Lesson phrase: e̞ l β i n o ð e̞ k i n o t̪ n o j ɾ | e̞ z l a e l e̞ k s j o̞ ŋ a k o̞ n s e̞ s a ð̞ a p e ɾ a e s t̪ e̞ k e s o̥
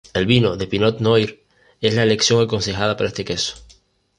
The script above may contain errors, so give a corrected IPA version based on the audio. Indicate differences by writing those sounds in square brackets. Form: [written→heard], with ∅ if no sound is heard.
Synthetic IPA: e̞ l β i n o ð e̞ [k→p] i n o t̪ n o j ɾ | e̞ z l a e l e̞ k s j o̞ ŋ a k o̞ n s e̞ [s→x] a ð̞ a p [e→a] ɾ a e s t̪ e̞ k e s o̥